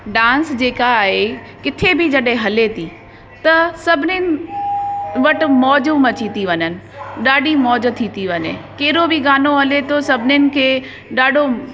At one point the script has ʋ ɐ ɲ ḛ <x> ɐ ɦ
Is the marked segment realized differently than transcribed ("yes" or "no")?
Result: yes